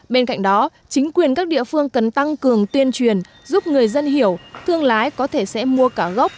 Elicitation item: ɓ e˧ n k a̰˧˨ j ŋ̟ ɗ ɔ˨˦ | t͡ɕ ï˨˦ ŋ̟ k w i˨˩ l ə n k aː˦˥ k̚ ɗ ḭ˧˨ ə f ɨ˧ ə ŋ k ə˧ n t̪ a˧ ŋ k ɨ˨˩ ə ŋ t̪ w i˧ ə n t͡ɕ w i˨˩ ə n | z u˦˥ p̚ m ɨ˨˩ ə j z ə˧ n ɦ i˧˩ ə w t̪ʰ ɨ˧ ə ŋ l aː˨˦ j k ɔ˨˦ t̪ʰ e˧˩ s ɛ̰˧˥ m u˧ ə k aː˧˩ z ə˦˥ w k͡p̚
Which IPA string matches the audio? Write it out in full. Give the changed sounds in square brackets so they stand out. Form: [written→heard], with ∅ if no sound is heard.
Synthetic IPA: ɓ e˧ n k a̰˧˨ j ŋ̟ ɗ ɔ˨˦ | t͡ɕ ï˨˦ ŋ̟ k w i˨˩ [l→∅] ə n k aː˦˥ k̚ ɗ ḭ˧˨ ə f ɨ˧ ə ŋ k [ə˧→ə˨˩] n t̪ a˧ ŋ k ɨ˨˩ ə ŋ t̪ w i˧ ə n t͡ɕ w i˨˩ ə n | z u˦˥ p̚ [m→ŋ] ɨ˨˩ ə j z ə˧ n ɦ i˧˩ ə w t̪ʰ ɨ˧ ə ŋ l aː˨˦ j k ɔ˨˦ t̪ʰ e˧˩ s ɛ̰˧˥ m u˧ ə k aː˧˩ [z→ɣ] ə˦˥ w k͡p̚